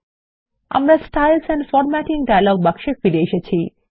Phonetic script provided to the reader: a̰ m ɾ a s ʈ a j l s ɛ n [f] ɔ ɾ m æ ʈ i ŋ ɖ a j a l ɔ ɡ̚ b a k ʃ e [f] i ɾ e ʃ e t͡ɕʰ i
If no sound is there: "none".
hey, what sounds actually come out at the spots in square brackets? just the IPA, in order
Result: f, f

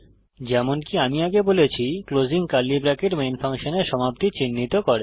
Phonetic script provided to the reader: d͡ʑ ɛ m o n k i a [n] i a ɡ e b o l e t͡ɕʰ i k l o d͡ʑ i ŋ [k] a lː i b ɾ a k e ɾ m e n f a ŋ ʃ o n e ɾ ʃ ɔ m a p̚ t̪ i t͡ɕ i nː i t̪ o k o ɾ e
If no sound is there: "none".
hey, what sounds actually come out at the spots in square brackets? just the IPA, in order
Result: m, k

